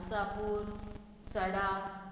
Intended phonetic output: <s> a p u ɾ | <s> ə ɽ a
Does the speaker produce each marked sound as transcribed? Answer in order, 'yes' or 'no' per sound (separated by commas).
yes, yes